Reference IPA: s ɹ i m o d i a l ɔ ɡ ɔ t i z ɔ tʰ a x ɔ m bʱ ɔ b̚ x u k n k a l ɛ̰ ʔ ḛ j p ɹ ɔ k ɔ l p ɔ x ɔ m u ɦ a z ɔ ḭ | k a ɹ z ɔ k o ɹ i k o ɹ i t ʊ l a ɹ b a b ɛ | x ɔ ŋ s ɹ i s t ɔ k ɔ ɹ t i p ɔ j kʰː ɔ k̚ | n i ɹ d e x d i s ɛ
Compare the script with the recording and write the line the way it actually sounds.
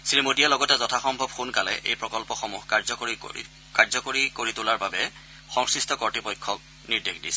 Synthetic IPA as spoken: s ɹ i m o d i a l ɔ ɡ ɔ t ɛ z ɔ tʰ a x ɔ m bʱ ɔ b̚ x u n k a l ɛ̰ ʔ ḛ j p ɹ ɔ k ɔ l p ɔ x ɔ m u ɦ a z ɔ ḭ | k a ɹ z ɔ k o ɹ i k o ɹ i t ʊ l a ɹ b a b ɛ | x ɔ ŋ s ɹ i s t ɔ k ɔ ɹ t i p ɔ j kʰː ɔ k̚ | n i ɹ d e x d i s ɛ